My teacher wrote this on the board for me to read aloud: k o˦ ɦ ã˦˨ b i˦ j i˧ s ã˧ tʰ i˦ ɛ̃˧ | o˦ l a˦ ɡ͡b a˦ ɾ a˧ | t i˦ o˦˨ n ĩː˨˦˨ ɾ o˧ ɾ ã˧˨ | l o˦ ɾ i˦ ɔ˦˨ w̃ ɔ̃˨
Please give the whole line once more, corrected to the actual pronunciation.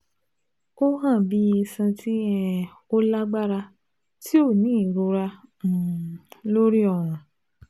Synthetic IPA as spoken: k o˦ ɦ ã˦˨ b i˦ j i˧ s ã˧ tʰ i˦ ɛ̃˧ | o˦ l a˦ ɡ͡b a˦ ɾ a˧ | t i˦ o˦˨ n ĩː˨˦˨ ɾ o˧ ɾ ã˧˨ | l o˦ ɾ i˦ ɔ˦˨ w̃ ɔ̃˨